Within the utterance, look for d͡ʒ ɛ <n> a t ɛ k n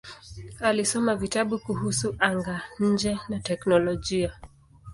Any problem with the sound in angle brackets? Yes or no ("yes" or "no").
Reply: no